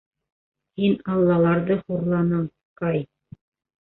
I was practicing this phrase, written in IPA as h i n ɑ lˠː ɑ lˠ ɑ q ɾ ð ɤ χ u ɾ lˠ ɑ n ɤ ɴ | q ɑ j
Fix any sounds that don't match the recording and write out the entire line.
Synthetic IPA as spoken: h i n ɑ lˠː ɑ lˠ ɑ ɾ ð ɤ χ u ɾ lˠ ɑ n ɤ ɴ | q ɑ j